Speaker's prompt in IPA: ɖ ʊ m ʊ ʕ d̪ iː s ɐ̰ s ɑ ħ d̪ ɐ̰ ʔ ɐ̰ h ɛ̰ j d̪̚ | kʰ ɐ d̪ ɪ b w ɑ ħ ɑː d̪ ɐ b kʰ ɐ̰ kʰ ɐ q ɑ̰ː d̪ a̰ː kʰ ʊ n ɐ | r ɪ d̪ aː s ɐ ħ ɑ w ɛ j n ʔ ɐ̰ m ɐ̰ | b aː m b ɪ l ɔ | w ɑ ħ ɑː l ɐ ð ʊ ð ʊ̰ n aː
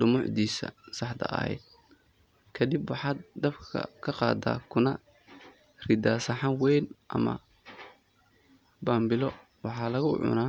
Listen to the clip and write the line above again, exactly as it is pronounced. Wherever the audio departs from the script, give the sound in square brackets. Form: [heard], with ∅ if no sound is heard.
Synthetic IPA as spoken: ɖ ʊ m ʊ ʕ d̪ iː s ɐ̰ s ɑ ħ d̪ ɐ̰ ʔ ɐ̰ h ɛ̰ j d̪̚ | kʰ ɐ d̪ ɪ b w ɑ ħ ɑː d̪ ɐ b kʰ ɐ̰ kʰ ɐ q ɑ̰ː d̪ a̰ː kʰ ʊ n ɐ | r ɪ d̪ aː s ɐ ħ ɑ w ɛ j n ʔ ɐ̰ m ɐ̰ | b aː m b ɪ l ɔ | w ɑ ħ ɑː l ɐ [ɣ] ʊ [ʕ] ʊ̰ n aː